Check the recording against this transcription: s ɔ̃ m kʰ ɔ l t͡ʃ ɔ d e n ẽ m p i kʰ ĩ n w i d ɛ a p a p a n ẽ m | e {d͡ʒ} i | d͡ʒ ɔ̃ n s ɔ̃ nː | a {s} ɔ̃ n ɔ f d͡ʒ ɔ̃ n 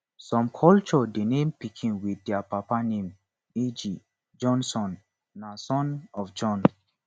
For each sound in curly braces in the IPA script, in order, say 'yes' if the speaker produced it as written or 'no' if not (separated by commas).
yes, yes